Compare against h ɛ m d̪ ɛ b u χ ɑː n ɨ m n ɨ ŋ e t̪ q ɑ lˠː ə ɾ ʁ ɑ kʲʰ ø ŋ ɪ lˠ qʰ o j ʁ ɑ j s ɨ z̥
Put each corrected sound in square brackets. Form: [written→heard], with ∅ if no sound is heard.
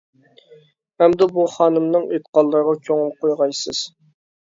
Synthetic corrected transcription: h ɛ m d̪ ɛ b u χ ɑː n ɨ m n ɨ ŋ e t̪ q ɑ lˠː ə ɾ ʁ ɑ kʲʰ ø ŋ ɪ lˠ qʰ o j ʁ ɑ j s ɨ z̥